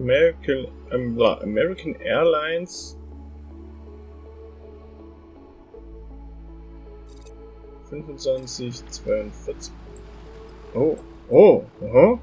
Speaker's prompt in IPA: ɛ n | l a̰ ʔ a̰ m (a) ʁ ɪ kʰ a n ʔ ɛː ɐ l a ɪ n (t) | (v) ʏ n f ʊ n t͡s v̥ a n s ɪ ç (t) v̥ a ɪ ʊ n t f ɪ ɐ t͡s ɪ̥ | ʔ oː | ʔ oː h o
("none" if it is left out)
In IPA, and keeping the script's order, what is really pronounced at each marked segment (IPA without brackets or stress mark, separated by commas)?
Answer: ɛ, s, f, t͡s